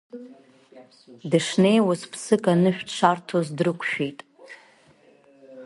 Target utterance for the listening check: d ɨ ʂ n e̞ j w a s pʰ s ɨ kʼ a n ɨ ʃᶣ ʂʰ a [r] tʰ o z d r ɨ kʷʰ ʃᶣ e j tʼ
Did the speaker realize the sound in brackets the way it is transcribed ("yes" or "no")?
yes